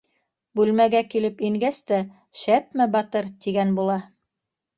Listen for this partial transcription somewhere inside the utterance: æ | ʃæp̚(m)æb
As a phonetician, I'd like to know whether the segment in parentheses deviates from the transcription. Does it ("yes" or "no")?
no